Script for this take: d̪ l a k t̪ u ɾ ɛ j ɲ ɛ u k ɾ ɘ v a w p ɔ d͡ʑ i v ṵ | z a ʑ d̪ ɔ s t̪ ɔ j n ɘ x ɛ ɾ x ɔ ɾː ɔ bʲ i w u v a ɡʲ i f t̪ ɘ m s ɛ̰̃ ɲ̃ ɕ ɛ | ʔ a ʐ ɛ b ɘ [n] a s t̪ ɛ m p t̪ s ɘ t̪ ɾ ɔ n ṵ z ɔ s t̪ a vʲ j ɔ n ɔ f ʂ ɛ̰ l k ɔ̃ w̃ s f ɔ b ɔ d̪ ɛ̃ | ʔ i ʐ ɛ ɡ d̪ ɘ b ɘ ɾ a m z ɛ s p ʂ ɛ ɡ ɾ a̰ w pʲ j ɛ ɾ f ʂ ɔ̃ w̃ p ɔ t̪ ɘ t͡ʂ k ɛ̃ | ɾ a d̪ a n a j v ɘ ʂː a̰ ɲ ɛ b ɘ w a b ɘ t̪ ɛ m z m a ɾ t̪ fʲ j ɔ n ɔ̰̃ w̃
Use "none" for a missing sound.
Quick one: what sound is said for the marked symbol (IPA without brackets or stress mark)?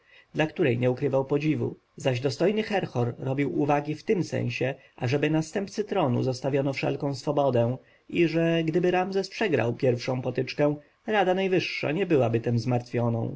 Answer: n